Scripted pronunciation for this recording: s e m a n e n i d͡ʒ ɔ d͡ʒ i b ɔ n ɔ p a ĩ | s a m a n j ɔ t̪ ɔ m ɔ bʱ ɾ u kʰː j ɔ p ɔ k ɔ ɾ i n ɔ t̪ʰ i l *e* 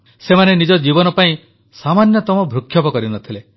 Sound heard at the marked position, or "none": e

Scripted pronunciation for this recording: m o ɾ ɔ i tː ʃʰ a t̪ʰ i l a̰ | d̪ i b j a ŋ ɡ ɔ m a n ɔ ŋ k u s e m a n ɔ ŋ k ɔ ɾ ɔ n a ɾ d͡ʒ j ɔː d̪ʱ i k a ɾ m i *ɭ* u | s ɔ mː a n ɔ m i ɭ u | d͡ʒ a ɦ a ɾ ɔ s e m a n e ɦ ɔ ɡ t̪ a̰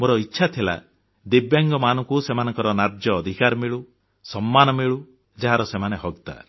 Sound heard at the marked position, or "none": ɭ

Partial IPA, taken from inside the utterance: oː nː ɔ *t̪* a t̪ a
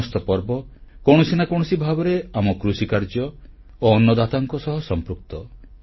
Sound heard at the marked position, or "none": d̪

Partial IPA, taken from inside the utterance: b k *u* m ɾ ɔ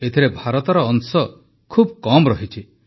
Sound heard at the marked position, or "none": ɔ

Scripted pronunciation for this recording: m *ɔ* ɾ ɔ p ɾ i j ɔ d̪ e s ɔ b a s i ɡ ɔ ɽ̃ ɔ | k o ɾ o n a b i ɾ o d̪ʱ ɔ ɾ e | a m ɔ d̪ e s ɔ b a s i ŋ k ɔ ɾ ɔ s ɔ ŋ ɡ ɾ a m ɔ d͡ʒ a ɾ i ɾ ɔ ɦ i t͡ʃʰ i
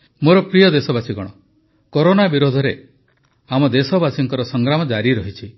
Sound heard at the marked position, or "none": o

